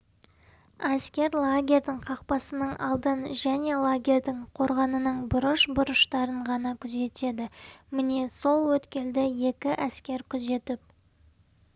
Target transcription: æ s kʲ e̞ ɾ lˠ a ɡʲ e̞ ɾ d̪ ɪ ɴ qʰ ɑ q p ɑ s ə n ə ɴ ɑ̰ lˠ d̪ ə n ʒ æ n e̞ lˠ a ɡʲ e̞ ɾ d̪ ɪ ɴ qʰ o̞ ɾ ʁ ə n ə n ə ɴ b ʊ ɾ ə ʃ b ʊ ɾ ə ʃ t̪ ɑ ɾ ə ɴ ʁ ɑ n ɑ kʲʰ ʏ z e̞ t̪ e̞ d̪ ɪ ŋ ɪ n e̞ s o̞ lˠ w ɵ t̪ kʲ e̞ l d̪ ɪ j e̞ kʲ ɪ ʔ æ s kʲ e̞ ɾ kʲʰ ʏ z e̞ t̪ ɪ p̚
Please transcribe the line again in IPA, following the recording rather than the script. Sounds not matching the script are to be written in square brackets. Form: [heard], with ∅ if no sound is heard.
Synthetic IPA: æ s kʲ e̞ ɾ lˠ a ɡʲ e̞ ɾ d̪ ɪ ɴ qʰ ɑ q p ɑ s ə n ə ɴ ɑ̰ lˠ d̪ ə n ʒ æ n e̞ lˠ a ɡʲ e̞ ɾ d̪ ɪ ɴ qʰ o̞ ɾ ʁ [ɑ] n ə n ə ɴ b ʊ ɾ ə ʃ b ʊ ɾ ə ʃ t̪ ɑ ɾ ə ɴ ʁ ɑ n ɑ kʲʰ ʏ z e̞ t̪ e̞ d̪ ɪ [m] ɪ n e̞ s o̞ lˠ w ɵ t̪ kʲ e̞ l d̪ ɪ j e̞ kʲ ɪ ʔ æ s kʲ e̞ ɾ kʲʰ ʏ z e̞ t̪ ɪ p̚